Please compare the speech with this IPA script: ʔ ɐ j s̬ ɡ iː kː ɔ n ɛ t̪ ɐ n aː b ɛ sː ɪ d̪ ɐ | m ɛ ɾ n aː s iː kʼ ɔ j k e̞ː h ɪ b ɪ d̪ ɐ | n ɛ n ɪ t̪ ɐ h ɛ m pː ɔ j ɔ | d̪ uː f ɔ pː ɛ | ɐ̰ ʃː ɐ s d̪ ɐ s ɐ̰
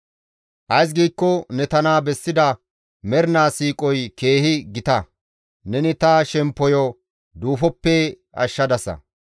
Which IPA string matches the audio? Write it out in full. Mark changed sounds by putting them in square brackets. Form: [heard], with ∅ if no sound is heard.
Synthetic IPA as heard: ʔ ɐ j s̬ ɡ iː kː ɔ n ɛ t̪ ɐ n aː b ɛ sː ɪ d̪ ɐ | m ɛ ɾ n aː s iː kʼ ɔ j k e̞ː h ɪ [ɡ] ɪ [t̪] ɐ | n ɛ n ɪ t̪ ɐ [ʃ] ɛ m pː ɔ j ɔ | d̪ uː f ɔ pː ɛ | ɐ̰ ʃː ɐ [∅] d̪ ɐ s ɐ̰